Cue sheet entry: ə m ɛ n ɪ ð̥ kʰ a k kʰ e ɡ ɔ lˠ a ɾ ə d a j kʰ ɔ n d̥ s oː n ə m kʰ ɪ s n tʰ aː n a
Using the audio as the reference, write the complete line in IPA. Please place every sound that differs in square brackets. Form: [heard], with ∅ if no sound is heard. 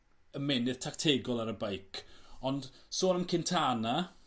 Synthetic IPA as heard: ə m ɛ n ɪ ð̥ [tʰ] a k [tʰ] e ɡ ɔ lˠ a ɾ ə [b] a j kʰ ɔ n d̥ s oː n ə m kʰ ɪ [∅] n tʰ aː n a